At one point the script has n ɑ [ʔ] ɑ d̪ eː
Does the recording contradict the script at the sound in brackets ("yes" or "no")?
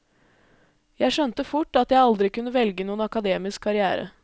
yes